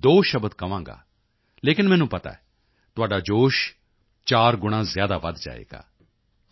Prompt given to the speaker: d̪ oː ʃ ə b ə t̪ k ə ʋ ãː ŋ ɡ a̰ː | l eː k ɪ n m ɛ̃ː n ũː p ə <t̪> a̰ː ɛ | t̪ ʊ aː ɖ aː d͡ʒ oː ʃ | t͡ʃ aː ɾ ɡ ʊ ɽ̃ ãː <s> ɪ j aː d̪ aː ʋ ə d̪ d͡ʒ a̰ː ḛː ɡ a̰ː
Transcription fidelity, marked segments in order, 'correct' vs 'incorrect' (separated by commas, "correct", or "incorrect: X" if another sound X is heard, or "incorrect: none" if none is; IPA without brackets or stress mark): correct, incorrect: z